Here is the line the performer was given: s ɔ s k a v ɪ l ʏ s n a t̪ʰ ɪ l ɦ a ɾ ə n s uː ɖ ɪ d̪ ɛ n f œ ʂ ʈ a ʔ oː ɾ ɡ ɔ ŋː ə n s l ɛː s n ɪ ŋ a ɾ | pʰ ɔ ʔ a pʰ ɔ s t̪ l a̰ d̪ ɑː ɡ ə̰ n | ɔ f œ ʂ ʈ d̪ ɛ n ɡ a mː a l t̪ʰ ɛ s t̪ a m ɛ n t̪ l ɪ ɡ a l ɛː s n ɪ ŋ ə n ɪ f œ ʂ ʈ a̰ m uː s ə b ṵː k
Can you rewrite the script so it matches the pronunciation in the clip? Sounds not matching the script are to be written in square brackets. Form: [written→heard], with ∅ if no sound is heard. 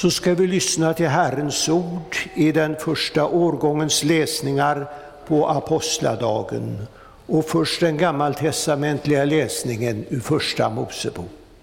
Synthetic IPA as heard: s ɔ s k a v ɪ l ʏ s n a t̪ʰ ɪ l ɦ [a→æ] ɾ ə n s uː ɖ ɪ d̪ ɛ n f œ ʂ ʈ a ʔ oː ɾ ɡ ɔ ŋː ə n s l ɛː s n ɪ ŋ a ɾ | pʰ ɔ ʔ a pʰ ɔ s t̪ l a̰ d̪ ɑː ɡ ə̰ n | ɔ f œ ʂ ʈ d̪ ɛ n ɡ a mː a l t̪ʰ ɛ s t̪ a m ɛ n t̪ l ɪ ɡ a l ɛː s n ɪ ŋ ə n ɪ f œ ʂ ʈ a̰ m uː s ə b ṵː k